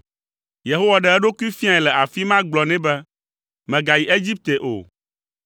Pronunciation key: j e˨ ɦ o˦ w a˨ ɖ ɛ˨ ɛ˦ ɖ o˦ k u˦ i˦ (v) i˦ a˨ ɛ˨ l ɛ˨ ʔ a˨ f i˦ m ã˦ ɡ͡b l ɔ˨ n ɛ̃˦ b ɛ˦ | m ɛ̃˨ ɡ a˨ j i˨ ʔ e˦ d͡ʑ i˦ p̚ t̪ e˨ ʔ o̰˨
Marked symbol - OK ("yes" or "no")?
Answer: no